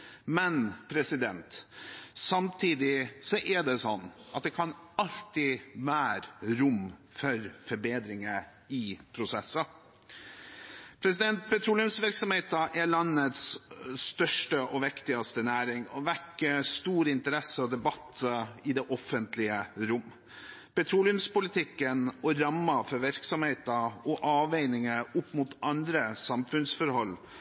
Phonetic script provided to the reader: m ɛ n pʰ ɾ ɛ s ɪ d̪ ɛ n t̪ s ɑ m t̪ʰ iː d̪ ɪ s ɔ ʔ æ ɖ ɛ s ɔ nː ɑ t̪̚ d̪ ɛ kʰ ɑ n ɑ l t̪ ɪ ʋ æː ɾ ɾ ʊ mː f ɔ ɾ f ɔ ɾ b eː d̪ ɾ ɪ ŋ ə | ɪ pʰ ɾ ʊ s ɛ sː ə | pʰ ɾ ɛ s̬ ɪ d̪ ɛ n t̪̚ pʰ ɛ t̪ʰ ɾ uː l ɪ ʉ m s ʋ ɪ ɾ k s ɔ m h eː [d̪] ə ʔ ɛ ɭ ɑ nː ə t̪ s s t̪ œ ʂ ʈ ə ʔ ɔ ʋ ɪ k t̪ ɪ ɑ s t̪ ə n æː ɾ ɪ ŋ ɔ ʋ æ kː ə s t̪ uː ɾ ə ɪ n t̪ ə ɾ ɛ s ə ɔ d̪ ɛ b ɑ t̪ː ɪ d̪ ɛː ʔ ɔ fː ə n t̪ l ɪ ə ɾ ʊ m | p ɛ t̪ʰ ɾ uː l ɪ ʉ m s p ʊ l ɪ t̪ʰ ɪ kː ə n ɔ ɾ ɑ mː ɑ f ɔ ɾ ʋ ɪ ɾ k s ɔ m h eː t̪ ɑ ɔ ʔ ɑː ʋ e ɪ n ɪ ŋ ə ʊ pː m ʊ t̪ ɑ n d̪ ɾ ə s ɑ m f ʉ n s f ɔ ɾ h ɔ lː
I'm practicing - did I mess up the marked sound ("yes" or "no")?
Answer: yes